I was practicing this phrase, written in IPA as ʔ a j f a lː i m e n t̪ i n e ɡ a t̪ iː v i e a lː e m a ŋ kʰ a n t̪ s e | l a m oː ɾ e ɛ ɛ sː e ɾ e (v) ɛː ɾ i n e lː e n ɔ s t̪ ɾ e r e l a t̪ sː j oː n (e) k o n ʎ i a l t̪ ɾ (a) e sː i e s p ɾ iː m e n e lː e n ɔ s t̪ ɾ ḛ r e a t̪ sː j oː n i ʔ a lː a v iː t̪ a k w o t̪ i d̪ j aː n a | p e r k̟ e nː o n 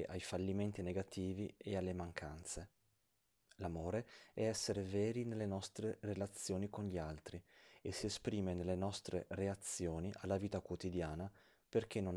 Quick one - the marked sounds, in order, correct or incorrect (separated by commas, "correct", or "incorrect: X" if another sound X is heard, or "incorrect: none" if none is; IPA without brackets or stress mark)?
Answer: correct, incorrect: i, incorrect: i